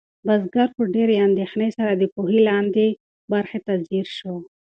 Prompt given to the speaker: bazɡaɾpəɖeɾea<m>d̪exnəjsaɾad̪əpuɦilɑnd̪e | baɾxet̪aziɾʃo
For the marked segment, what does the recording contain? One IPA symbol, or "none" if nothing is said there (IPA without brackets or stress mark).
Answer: n